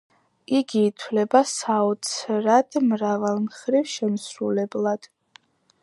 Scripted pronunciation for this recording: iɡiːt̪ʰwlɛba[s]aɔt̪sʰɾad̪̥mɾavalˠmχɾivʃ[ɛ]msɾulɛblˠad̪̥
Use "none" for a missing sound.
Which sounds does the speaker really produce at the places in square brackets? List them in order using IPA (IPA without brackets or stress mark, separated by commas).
s, ɛ